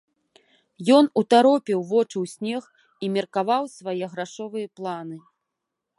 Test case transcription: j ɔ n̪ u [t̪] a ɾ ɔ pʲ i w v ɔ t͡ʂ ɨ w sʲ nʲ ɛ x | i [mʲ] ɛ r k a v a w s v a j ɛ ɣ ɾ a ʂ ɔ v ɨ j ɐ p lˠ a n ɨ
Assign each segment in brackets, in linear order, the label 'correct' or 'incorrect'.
correct, correct

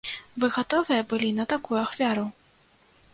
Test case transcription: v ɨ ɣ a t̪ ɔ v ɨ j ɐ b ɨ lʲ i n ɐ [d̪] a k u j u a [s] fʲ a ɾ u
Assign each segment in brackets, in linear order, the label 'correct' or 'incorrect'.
incorrect, incorrect

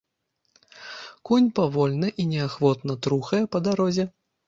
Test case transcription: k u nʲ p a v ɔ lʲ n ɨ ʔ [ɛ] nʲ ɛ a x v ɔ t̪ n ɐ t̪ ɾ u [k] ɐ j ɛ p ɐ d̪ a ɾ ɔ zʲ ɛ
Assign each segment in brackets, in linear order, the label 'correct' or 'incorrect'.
incorrect, incorrect

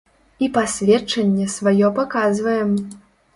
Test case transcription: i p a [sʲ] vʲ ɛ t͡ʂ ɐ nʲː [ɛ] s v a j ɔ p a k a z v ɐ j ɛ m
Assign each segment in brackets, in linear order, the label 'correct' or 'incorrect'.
correct, correct

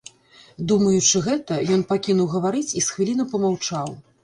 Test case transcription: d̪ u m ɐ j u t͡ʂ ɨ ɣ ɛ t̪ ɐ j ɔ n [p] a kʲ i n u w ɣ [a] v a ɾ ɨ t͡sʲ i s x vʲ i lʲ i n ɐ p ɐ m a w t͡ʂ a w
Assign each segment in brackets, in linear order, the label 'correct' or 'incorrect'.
correct, incorrect

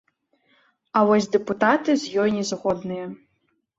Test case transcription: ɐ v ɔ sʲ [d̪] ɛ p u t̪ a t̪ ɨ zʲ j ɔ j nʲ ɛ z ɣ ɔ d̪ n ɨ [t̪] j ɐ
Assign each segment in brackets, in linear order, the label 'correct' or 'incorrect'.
correct, incorrect

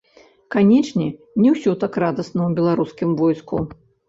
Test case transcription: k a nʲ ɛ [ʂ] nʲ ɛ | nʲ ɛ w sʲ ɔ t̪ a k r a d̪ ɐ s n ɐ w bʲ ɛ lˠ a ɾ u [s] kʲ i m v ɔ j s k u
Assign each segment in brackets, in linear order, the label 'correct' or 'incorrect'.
incorrect, correct

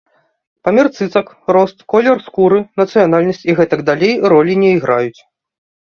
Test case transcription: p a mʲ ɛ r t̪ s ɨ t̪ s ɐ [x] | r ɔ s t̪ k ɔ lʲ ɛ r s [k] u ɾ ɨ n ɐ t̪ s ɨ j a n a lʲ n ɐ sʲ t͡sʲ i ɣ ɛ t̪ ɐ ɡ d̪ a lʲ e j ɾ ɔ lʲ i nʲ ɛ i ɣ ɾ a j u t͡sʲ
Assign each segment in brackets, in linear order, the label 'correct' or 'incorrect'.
incorrect, correct

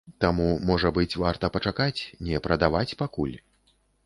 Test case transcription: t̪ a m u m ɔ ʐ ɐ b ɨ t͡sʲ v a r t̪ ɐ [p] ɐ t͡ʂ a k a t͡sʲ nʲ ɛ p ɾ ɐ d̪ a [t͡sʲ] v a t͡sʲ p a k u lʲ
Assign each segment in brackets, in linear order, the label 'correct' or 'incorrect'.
correct, incorrect

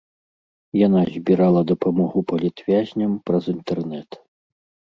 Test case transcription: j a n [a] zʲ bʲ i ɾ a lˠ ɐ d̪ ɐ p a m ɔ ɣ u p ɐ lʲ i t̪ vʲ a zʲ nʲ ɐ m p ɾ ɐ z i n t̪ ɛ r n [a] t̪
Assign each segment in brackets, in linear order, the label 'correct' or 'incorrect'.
correct, incorrect

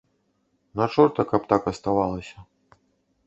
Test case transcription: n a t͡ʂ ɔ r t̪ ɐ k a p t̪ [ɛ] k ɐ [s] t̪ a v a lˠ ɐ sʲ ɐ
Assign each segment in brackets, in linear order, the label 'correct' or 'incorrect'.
incorrect, correct

